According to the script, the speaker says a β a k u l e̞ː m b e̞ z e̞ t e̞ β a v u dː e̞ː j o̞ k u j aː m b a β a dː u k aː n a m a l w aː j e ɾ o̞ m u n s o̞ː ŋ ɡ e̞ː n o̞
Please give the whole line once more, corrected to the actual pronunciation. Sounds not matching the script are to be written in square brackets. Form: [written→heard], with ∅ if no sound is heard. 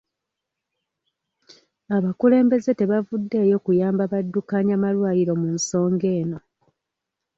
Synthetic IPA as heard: a β a k u l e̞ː m b e̞ z e̞ t e̞ β a v u dː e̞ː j o̞ k u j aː m b a β a dː u k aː [n→ɲ] a m a l w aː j [e→i] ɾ o̞ m u n s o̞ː ŋ ɡ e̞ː n o̞